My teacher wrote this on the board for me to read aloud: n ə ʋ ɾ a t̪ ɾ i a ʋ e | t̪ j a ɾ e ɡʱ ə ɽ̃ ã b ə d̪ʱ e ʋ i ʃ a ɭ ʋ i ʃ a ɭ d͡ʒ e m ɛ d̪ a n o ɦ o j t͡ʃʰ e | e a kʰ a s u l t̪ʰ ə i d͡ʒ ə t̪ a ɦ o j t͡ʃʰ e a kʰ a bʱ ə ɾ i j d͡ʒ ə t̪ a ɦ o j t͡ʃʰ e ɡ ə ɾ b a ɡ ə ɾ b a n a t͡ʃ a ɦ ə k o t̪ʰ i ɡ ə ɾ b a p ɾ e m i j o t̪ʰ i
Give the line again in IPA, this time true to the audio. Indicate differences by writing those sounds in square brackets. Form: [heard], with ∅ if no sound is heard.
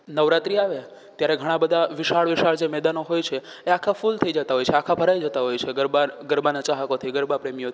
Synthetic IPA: n ə ʋ ɾ a t̪ ɾ i a ʋ e | t̪ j a ɾ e ɡʱ ə ɽ̃ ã b ə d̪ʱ [a] ʋ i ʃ a ɭ ʋ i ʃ a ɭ d͡ʒ e m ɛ d̪ a n o ɦ o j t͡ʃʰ e | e a kʰ a [f] u l t̪ʰ ə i d͡ʒ ə t̪ a ɦ o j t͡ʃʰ e a kʰ a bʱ ə ɾ [a] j d͡ʒ ə t̪ a ɦ o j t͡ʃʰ e ɡ ə ɾ b a ɡ ə ɾ b a n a t͡ʃ a ɦ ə k o t̪ʰ i ɡ ə ɾ b a p ɾ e m i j o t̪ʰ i

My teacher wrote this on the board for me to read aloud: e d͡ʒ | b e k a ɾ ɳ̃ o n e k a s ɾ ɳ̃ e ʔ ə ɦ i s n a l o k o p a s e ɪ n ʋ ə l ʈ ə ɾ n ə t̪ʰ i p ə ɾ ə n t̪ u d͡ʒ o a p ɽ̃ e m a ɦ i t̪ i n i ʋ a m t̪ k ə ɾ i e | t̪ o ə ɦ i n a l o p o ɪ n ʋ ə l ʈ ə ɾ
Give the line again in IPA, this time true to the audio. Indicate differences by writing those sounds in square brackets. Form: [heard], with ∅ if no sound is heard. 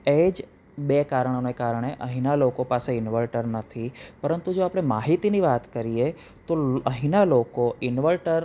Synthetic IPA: e d͡ʒ | b e k a ɾ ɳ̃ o n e k a [∅] ɾ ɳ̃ e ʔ ə ɦ i [∅] n a l o k o p a s e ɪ n ʋ ə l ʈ ə ɾ n ə t̪ʰ i p ə ɾ ə n t̪ u d͡ʒ o a p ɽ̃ e m a ɦ i t̪ i n i ʋ a [∅] t̪ k ə ɾ i e | t̪ o ə ɦ i n a l o [k] o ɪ n ʋ ə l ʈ ə ɾ

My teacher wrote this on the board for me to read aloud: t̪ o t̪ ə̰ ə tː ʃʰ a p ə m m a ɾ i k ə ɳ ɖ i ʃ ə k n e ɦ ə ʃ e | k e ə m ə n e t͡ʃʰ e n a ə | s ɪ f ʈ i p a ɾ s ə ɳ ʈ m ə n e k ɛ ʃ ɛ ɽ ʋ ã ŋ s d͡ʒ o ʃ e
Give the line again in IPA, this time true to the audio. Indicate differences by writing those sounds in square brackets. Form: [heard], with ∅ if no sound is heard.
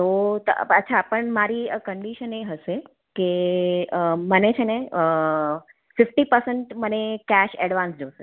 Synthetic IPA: t̪ o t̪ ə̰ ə tː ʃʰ a p ə [ɳ] m a ɾ i k ə ɳ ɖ i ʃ ə [∅] n e ɦ ə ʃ e | k e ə m ə n e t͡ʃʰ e n [e] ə | [f] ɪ f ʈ i p [ə] ɾ s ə ɳ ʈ m ə n e k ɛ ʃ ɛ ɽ ʋ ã [n] s d͡ʒ o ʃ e

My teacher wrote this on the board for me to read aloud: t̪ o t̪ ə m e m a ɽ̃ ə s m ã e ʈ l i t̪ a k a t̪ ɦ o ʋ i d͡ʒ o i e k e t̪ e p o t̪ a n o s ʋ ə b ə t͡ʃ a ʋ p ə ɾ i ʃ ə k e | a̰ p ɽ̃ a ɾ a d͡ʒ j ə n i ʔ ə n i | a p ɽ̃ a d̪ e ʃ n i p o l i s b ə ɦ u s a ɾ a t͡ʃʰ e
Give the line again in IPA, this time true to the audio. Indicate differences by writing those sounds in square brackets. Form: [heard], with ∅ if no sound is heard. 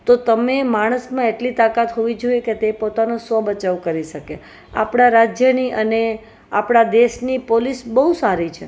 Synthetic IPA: t̪ o t̪ ə m e m a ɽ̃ ə s m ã e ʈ l i t̪ a k a t̪ ɦ o ʋ i d͡ʒ o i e k e t̪ e p o t̪ a n o s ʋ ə b ə t͡ʃ a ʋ [k] ə ɾ i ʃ ə k e | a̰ p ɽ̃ a ɾ a d͡ʒ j ə n i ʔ ə n [e] | a p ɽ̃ a d̪ e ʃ n i p o l i s b ə ɦ u s a ɾ [i] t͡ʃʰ e

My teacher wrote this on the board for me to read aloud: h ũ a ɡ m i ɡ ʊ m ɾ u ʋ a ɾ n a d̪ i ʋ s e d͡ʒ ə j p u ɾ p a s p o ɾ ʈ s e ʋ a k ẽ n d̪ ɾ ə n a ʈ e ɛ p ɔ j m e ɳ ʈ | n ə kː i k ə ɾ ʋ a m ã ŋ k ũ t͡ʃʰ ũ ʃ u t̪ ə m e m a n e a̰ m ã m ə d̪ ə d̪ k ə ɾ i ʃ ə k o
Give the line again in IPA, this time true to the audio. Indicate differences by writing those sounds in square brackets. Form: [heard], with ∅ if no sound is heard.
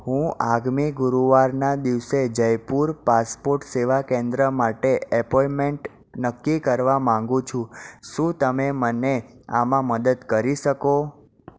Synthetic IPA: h ũ a ɡ m i ɡ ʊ [∅] ɾ u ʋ a ɾ n a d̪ i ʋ s e d͡ʒ ə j p u ɾ p a s p o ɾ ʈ s e ʋ a k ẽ n d̪ ɾ ə [m] a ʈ e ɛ p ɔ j m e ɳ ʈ | n ə kː i k ə ɾ ʋ a m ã ŋ [ɡ] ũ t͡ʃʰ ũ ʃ [ũ] t̪ ə m e m [ə] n e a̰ m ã m ə d̪ ə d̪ k ə ɾ i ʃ ə k o

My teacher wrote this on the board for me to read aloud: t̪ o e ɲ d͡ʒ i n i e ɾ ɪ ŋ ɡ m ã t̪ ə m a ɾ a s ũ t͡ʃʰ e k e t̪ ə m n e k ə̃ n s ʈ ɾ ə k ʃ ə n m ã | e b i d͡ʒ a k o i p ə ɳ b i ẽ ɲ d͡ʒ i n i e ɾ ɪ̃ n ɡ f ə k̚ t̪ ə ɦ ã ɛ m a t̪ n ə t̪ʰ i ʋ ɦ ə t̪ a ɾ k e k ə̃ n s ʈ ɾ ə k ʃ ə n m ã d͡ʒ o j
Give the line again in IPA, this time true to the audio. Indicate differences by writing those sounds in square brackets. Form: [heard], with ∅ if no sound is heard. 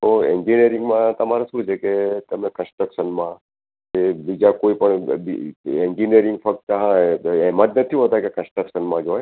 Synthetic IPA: t̪ o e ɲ d͡ʒ i n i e ɾ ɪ ŋ ɡ m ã t̪ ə m a ɾ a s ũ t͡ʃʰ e k e t̪ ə m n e k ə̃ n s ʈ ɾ ə k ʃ ə n m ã | e b i d͡ʒ a k o i p ə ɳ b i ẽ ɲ d͡ʒ i n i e ɾ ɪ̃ [ŋ] ɡ f ə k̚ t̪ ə ɦ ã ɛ m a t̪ n ə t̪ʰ i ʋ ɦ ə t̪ a [∅] k e k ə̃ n s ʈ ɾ ə k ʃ ə n m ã d͡ʒ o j

